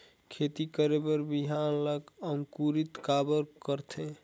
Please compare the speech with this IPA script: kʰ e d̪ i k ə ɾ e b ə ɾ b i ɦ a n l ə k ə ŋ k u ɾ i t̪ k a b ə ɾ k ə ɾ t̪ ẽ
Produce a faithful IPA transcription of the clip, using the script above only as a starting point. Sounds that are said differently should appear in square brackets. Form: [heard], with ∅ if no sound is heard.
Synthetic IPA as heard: kʰ e [t̪] i k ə ɾ e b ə ɾ b i ɦ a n l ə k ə ŋ k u ɾ i t̪ k a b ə ɾ k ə ɾ [t̪ʰ] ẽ